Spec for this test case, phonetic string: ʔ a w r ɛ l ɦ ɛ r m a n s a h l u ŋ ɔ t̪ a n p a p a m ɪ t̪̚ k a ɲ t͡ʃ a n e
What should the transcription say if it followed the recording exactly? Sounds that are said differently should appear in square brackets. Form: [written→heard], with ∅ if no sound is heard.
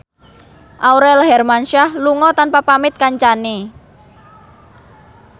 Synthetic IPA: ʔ a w [r→ɾ] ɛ l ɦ ɛ r m a n [s→ʃ] a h l u ŋ ɔ t̪ a n p a p a m ɪ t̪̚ k a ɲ t͡ʃ a n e